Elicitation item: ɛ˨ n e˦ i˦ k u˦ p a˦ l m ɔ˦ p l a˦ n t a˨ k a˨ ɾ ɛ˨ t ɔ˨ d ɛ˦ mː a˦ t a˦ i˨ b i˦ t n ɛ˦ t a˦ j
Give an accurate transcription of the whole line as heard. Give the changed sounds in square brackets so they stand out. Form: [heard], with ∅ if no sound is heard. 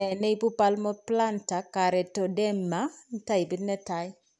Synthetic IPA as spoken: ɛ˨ n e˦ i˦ [p] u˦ p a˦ l m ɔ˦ p l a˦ n t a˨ k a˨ ɾ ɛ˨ t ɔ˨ d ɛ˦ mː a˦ t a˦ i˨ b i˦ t n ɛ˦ t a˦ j